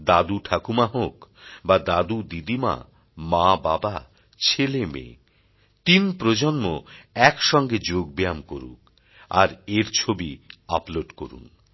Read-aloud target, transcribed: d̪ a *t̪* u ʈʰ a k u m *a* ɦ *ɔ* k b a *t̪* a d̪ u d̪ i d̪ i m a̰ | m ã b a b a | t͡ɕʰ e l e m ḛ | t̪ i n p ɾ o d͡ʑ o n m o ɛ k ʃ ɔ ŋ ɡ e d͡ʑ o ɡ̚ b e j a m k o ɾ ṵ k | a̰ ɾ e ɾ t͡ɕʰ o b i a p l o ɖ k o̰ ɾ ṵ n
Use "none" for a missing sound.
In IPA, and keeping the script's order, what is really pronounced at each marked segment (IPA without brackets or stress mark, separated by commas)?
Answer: d̪, a, o, d̪